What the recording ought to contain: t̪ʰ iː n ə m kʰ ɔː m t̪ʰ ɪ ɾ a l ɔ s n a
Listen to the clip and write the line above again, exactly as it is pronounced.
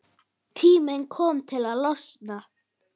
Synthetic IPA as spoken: t̪ʰ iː m ə n kʰ ɔ m t̪ʰ ɪ l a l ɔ s n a